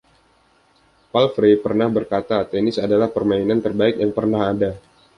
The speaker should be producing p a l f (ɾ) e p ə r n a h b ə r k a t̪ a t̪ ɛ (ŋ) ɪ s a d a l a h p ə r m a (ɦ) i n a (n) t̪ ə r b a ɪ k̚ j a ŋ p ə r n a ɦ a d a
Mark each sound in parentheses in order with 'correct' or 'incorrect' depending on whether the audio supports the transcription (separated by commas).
correct, incorrect, incorrect, correct